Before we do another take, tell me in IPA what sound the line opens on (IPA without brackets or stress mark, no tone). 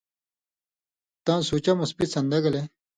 t̪